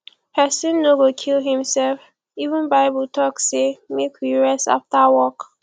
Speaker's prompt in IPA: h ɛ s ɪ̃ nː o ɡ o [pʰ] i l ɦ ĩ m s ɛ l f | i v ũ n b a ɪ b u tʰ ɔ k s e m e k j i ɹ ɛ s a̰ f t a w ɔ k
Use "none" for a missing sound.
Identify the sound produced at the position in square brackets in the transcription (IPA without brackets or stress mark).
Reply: kʰ